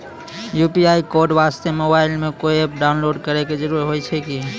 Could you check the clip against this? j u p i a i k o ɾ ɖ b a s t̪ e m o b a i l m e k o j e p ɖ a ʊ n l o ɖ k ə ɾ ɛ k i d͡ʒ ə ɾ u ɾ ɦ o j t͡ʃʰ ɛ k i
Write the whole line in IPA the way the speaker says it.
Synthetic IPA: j u p i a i k o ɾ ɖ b a s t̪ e m o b a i l m e k o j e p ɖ a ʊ n l o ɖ k ə ɾ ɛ k e d͡ʒ ə ɾ u ɾ ɦ o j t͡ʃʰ ɛ k i

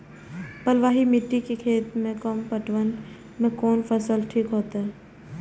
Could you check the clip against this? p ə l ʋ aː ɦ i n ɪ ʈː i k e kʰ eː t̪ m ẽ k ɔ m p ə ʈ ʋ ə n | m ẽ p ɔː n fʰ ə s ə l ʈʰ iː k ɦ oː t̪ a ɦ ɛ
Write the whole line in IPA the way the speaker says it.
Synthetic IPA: p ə l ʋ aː ɦ i m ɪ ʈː i k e kʰ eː t̪ m ẽ k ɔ m p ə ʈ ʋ ə n | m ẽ k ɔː n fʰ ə s ə l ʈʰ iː k ɦ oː t̪ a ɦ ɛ

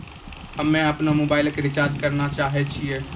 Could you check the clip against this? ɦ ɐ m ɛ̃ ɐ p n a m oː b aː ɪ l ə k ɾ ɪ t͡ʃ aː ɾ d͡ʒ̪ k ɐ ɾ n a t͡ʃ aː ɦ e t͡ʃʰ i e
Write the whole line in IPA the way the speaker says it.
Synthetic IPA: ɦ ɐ m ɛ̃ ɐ p n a m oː b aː ɪ l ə k ɾ ɪ t͡ʃ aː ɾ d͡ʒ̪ k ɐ ɾ n a t͡ʃ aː ɦ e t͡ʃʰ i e

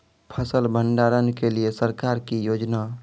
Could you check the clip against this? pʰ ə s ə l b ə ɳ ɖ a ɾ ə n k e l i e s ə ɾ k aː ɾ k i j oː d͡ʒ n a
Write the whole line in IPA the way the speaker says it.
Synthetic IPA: pʰ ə s ə l b ə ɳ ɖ a ɾ ə n k e l i e s ə ɾ k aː ɾ k i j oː d͡ʒ n a

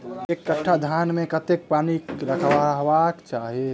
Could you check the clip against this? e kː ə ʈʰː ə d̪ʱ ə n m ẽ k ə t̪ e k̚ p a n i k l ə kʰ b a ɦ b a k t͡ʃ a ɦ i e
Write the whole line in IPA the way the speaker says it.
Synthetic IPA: e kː ə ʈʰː a d̪ʱ a n m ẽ k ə t̪ e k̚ p a n i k ɾ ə kʰ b a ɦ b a k t͡ʃ a ɦ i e

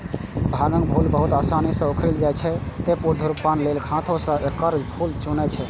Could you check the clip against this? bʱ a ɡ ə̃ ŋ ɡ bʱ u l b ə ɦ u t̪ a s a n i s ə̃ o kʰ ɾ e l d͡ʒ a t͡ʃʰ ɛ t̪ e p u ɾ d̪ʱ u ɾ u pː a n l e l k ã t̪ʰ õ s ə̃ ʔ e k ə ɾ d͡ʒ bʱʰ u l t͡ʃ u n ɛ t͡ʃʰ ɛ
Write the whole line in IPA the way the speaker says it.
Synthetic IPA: bʱ a ɡ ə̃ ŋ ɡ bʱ u l b ə ɦ u t̪ a s a n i s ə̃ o kʰ ɾ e l d͡ʒ a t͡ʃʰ ɛ t̪ e p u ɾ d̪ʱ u ɾ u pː a n l e l kʰ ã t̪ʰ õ s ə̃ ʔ e k ə ɾ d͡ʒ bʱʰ u l t͡ʃ u n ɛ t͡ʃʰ ɛ

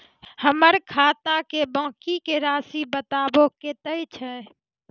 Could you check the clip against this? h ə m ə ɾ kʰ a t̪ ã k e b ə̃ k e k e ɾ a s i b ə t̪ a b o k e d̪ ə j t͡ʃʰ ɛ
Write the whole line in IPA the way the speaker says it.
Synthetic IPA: h ə m ə ɾ kʰ a t̪ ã k e b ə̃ k i k e ɾ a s i b ə t̪ a b o k e t̪ ə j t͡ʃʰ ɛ

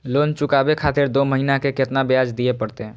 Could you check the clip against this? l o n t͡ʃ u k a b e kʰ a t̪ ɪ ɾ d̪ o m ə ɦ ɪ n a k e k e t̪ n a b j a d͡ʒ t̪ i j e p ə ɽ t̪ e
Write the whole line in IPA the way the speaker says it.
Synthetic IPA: l o n t͡ʃ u k a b e kʰ a t̪ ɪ ɾ d̪ o m ə ɦ i n a k e k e t̪ n a b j a d͡ʒ d̪ i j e p ə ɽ t̪ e

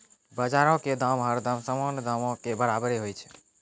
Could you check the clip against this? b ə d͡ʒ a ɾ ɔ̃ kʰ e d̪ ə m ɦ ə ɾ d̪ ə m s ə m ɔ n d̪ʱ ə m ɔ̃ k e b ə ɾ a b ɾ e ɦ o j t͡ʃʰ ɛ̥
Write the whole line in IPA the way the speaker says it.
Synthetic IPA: b ə d͡ʒ a ɾ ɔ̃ k e d̪ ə m ɦ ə ɾ d̪ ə m s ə m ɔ n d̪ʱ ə m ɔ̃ k e b ə ɾ a b ɾ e ɦ o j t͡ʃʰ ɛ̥

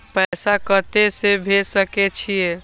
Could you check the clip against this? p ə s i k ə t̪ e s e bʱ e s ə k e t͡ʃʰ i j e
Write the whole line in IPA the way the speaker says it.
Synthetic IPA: p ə s a k ə t̪ e s e bʱ e s ə k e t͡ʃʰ i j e

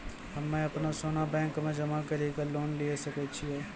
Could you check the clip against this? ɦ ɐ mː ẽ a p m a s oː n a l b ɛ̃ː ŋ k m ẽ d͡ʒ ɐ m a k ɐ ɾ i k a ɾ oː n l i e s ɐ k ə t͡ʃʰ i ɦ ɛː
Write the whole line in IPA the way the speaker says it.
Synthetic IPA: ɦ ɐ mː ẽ ɐ p n a s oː n a b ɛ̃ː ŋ k m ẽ d͡ʒ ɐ m a k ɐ ɾ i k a l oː n l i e s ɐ k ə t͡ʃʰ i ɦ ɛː

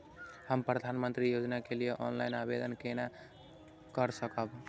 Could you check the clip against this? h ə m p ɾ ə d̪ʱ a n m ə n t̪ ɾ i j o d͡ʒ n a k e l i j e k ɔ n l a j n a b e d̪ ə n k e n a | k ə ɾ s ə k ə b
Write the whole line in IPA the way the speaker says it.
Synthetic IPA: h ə m p ɾ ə d̪ʱ a n m ə n t̪ ɾ i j o d͡ʒ n a k e l i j e ʔ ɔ n l a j n a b e d̪ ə n k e n a | k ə ɾ s ə k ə b

